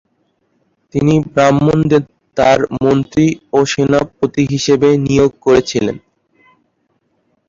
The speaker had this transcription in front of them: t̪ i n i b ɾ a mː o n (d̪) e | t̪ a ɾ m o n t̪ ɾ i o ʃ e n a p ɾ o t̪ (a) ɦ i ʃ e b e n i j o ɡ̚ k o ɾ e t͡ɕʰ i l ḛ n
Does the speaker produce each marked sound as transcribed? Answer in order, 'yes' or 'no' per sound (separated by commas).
yes, no